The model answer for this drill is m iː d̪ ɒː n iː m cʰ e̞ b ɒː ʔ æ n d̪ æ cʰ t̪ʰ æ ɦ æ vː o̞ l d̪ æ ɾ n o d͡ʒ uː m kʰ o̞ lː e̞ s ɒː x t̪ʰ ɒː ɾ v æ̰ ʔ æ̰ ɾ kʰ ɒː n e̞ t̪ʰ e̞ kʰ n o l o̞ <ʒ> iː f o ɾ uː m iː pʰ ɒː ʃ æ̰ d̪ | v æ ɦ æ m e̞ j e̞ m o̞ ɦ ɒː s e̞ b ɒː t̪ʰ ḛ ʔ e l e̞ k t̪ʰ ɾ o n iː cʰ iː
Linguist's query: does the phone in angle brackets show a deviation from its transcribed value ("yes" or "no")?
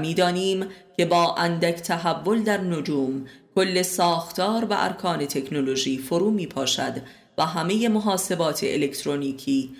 no